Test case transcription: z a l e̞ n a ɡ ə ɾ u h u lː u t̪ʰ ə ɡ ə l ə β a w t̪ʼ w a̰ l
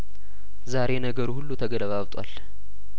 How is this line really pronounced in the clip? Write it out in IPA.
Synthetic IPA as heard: z a ɾ e̞ n ə ɡ ə ɾ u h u lː u t̪ʰ ə ɡ ə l ə β a β t̪ʼ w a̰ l